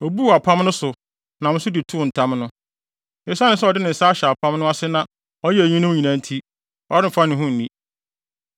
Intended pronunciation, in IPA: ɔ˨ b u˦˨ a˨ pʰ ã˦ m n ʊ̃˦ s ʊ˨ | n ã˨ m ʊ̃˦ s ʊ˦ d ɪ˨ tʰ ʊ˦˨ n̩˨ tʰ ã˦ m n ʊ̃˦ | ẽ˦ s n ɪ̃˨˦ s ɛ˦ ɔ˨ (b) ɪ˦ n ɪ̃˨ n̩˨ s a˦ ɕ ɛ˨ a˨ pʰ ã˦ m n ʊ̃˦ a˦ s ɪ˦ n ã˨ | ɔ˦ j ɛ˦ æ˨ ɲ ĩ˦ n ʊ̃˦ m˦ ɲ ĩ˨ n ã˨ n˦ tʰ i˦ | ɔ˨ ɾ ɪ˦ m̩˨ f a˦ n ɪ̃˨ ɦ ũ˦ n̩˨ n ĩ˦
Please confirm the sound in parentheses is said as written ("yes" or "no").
no